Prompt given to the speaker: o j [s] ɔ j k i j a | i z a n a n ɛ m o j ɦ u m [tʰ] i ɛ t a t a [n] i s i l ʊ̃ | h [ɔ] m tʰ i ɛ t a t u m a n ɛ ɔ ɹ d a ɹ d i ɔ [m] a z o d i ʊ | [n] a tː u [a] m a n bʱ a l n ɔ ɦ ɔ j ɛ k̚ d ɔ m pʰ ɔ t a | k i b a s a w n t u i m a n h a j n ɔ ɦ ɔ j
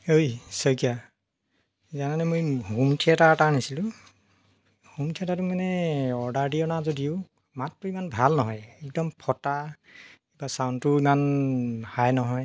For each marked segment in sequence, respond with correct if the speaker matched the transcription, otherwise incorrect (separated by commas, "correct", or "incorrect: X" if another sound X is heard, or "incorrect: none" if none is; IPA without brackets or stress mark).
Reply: correct, correct, correct, incorrect: u, incorrect: n, incorrect: m, incorrect: i